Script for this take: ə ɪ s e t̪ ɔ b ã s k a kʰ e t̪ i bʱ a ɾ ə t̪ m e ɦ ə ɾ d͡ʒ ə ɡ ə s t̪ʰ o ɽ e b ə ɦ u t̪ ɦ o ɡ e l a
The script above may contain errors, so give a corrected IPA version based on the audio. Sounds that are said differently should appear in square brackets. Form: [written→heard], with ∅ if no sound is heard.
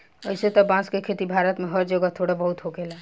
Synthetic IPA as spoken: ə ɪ s e t̪ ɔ b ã s k [a→e] kʰ e t̪ i bʱ a ɾ ə t̪ m e ɦ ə ɾ d͡ʒ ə ɡ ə [s→∅] t̪ʰ o ɽ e b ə ɦ u t̪ ɦ o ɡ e l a

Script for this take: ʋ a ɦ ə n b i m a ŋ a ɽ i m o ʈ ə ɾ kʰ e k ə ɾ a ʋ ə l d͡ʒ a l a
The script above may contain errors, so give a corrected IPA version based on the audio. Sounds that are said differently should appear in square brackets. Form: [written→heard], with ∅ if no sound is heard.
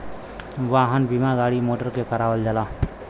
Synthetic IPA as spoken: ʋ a ɦ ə n b i m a [ŋ→ɡ] a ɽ i m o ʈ ə ɾ [kʰ→k] e k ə ɾ a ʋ ə l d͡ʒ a l a

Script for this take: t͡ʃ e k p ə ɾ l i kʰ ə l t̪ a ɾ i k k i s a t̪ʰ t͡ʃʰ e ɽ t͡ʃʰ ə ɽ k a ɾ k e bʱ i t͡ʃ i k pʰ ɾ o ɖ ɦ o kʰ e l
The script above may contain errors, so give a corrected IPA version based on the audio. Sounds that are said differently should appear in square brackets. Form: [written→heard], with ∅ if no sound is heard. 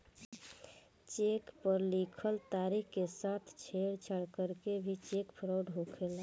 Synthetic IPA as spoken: t͡ʃ e k p ə ɾ l i kʰ ə l t̪ a ɾ i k k [i→e] s a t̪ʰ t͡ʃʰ e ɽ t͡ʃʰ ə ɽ k [a→ə] ɾ k e bʱ i t͡ʃ [i→e] k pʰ ɾ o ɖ ɦ o kʰ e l

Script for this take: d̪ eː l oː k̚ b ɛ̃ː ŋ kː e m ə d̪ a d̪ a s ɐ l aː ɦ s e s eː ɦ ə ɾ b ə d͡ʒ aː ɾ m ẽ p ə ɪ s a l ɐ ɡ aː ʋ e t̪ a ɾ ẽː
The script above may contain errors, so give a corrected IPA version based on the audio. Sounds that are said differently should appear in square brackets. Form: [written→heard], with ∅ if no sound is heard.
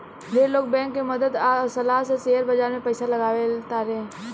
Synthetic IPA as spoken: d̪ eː l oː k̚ b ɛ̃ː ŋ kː e m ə d̪ [a→ə] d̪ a s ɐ l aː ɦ s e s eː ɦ ə ɾ b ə d͡ʒ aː ɾ m ẽ p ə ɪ s a l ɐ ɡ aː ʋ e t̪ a ɾ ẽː

